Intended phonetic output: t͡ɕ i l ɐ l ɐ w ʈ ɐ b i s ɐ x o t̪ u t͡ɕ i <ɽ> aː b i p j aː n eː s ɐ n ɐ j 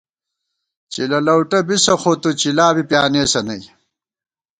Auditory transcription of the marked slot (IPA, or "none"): l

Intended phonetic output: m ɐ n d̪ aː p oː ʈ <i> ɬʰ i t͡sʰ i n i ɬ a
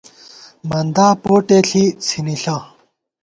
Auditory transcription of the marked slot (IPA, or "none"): e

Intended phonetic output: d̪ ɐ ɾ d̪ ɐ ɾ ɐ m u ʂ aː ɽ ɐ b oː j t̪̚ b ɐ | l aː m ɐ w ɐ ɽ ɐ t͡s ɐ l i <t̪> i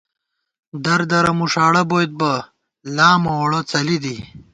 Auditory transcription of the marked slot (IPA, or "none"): d̪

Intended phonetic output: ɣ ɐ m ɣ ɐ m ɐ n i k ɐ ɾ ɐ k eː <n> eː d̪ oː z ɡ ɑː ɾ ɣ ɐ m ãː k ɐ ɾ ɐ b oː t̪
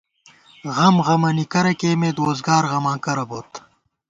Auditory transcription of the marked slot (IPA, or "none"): m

